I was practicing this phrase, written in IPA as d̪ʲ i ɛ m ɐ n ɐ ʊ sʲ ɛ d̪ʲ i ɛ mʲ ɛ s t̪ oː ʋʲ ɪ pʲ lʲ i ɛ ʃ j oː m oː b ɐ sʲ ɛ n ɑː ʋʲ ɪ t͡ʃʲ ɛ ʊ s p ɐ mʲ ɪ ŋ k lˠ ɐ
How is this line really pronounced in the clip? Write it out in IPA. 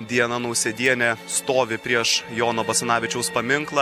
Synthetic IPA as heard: d̪ʲ i ɛ n ɐ n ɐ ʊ sʲ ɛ d̪ʲ i ɛ nʲ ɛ s t̪ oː ʋʲ ɪ pʲ ɾʲ i ɛ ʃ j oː n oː b ɐ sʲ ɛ n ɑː ʋʲ ɪ t͡ʃʲ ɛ ʊ s p ɐ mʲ ɪ ŋ k lˠ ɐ